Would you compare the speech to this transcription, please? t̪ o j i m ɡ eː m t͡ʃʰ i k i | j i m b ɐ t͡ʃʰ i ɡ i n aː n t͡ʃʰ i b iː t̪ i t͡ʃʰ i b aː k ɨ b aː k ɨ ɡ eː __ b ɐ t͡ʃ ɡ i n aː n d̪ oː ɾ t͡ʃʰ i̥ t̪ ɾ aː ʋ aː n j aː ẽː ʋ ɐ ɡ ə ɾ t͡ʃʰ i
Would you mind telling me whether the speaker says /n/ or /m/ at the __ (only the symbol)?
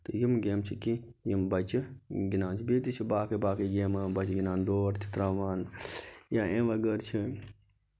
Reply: m